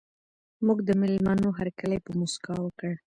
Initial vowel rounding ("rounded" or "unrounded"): rounded